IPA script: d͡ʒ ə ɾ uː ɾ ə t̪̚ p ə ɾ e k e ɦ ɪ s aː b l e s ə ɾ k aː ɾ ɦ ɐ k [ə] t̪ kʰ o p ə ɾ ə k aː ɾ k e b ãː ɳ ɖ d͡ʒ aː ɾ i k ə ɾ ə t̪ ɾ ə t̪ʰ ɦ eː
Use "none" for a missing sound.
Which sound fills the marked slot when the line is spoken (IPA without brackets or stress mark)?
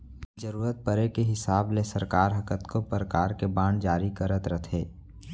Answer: ə